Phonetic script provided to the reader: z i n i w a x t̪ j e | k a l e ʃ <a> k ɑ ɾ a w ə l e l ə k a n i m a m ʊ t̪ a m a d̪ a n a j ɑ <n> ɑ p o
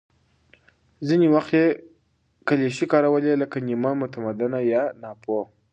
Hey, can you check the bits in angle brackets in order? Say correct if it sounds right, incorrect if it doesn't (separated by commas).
incorrect, correct